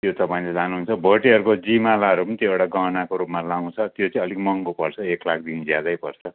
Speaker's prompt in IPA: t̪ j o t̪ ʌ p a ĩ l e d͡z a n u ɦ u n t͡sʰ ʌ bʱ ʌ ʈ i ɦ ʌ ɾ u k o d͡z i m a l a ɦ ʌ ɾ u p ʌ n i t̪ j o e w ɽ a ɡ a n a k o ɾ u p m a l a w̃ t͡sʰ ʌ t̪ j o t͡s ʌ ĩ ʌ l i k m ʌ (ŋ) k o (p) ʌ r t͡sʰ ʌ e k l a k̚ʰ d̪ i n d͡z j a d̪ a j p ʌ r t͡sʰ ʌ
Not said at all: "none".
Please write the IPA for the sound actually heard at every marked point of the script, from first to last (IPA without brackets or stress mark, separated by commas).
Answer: ŋ, p